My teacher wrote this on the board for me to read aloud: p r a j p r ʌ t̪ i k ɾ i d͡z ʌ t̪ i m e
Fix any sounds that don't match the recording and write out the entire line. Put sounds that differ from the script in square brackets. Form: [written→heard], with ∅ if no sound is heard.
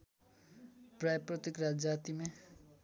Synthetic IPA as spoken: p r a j p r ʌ t̪ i k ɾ [i→a] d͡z [ʌ→a] t̪ i m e